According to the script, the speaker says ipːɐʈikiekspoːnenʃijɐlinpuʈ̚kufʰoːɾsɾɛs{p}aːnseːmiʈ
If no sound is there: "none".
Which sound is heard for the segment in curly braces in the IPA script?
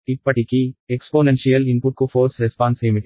p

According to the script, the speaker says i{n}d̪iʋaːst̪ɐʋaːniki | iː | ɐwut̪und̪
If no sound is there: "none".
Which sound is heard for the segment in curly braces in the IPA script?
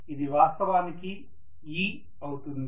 none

